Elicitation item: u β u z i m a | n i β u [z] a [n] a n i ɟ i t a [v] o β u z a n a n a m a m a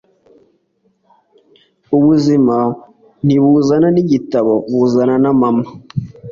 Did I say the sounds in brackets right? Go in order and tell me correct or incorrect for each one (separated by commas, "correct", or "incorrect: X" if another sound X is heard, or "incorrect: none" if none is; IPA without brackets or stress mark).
correct, correct, incorrect: β